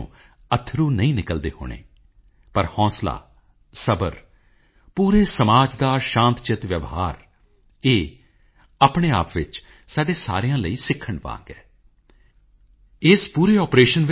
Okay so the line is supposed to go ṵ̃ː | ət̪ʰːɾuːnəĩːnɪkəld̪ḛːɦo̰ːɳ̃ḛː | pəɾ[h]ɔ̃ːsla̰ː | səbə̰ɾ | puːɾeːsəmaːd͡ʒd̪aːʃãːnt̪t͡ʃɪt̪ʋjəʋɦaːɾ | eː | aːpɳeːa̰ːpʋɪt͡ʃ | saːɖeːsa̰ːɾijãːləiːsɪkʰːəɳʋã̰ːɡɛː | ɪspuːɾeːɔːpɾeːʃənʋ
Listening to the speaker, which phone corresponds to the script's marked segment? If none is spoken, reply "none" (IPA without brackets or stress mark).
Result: h